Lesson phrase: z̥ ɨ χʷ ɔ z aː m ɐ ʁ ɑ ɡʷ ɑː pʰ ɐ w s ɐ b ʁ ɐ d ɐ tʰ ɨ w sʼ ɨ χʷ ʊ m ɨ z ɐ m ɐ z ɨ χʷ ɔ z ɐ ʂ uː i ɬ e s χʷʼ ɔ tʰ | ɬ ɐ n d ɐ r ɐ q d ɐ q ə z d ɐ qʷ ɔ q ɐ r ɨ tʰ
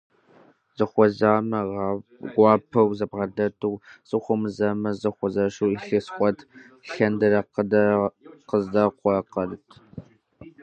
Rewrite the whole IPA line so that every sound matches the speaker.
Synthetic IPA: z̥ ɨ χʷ ɔ z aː m ɐ ʁ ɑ ɡʷ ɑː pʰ ɐ w z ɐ b ʁ ɐ d ɐ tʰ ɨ w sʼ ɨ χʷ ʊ m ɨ z ɐ m ɐ z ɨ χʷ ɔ z ɐ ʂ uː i ɬ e s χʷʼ ɔ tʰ | ɬ ɐ n d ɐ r ɐ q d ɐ q ə z d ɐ qʷ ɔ q ɐ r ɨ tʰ